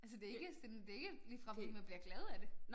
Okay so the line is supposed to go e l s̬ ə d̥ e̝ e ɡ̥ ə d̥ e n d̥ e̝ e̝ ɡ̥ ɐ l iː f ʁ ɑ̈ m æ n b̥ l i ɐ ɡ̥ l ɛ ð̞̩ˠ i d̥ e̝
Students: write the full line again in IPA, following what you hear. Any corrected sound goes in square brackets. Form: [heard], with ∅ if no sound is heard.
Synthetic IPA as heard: [æ] l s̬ ə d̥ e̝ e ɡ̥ ə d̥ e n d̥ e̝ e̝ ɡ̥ [ə] l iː f ʁ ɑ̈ m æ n b̥ l i ɐ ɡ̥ l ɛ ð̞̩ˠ [æ] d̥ e̝